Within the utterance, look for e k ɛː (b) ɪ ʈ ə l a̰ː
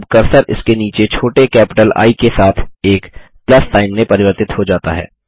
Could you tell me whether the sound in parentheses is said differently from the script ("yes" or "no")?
yes